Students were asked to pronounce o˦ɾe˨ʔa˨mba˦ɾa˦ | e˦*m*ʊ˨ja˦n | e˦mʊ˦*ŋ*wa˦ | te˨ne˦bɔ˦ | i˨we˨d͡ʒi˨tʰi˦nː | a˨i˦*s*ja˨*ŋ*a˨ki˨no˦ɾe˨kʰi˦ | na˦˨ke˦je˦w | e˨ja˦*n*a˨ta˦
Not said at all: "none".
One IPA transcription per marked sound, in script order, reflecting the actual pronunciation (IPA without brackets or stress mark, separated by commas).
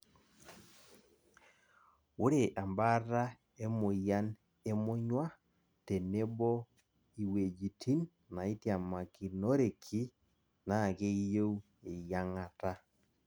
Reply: m, ɲ, t, m, ŋ